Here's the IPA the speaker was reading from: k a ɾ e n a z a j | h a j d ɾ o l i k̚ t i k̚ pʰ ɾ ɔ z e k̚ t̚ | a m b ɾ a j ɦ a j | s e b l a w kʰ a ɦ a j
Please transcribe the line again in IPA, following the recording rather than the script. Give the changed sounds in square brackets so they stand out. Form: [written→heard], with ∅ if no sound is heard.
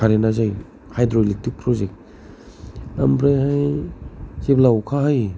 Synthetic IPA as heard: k a ɾ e n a z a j | h a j d ɾ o l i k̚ t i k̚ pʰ ɾ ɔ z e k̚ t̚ | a m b ɾ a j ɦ a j | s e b l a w kʰ a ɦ a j